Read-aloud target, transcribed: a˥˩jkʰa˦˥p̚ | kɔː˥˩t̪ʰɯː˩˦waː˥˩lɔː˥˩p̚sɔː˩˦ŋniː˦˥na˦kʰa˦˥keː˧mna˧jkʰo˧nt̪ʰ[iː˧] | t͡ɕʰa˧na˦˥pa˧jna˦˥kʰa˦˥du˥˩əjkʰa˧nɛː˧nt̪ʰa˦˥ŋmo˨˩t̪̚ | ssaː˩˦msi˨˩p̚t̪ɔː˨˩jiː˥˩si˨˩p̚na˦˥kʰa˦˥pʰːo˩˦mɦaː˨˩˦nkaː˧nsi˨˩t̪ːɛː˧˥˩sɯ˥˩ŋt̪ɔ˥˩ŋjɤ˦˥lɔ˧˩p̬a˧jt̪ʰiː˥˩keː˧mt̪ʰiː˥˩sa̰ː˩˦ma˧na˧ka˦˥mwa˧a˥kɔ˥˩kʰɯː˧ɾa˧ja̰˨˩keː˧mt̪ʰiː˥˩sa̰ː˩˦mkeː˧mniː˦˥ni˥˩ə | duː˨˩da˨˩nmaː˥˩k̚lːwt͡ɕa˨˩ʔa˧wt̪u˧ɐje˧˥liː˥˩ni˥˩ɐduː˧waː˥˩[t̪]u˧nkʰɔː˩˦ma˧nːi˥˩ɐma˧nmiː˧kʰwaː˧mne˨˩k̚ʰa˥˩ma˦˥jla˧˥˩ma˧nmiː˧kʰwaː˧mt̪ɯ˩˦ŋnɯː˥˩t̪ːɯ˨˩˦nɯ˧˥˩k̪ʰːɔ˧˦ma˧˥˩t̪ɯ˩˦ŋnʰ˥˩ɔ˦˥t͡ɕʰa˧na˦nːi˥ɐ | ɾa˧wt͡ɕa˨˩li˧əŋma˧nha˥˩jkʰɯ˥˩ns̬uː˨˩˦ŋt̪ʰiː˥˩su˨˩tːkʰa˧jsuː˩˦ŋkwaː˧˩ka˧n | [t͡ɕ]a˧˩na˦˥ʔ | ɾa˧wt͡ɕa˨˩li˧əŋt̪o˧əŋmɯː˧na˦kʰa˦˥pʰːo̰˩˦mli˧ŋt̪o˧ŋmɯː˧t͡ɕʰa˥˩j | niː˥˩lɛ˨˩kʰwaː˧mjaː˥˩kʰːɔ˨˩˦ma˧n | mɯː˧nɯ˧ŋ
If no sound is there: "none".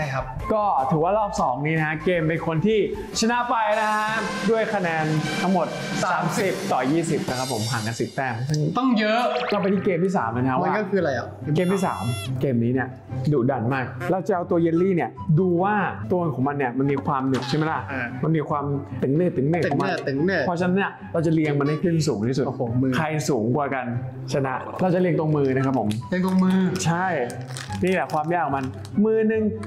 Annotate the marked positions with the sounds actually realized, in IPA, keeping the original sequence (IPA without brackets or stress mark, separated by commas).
iː˥˩, t̪, t͡ɕʰ